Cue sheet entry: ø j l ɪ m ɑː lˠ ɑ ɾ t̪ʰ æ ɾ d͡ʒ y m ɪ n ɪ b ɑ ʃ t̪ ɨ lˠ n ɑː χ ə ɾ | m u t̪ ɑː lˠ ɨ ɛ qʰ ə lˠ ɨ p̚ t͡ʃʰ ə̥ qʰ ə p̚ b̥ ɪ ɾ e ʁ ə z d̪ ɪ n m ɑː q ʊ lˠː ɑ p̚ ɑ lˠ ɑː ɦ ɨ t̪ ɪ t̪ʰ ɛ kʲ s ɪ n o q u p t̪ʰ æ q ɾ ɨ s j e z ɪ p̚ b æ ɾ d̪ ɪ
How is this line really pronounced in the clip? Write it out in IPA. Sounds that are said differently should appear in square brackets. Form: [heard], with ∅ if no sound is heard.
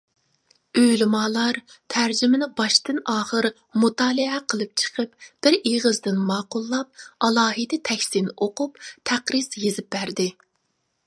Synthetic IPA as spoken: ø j l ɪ m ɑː lˠ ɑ ɾ t̪ʰ æ ɾ d͡ʒ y m ɪ n ɪ b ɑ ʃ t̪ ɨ [∅] n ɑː χ ə ɾ | m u t̪ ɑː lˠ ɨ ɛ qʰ ə lˠ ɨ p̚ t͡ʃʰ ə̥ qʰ ə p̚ b̥ ɪ ɾ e ʁ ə z d̪ ɪ n m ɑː q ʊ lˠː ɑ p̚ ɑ lˠ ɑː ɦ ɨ [d̪] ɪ t̪ʰ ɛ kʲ s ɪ n o q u p t̪ʰ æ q ɾ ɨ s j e z ɪ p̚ b æ ɾ d̪ ɪ